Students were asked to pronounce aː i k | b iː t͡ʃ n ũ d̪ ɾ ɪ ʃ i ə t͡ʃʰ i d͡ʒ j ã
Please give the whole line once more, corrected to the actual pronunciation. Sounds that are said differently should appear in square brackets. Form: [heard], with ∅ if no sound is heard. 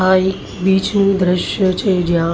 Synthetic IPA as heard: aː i k | b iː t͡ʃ n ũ d̪ ɾ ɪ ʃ [j] ə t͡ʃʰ [e] d͡ʒ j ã